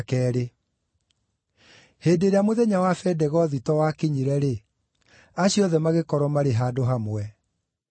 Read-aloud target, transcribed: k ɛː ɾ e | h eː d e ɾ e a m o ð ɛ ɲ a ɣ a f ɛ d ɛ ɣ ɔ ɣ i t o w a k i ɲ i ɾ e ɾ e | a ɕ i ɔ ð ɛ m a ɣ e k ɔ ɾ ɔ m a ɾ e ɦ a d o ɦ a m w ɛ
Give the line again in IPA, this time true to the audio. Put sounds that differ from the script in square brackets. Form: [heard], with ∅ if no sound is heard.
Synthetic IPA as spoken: k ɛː ɾ e | h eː d e ɾ e a m o ð ɛ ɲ a [w] a f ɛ d ɛ ɣ ɔ [ð] i t [ɔ] w a k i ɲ i ɾ [ɛ] ɾ e | a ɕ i ɔ ð ɛ m a ɣ e k ɔ ɾ ɔ m a ɾ e ɦ a d o ɦ a m w ɛ